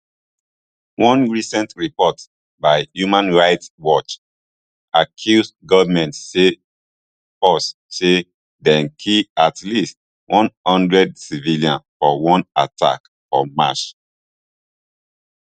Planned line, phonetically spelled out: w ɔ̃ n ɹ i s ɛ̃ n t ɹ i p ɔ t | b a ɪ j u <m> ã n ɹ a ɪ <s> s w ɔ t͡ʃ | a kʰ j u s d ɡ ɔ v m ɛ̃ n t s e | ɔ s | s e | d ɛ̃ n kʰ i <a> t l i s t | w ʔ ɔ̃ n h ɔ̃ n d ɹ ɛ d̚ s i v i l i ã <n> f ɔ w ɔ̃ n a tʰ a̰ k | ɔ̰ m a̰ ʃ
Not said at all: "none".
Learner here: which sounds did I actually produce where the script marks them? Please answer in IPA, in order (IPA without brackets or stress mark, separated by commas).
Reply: m, t, a, n